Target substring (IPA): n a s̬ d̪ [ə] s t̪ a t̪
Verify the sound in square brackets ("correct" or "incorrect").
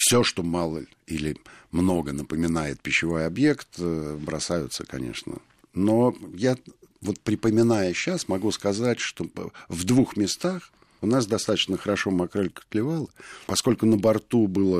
incorrect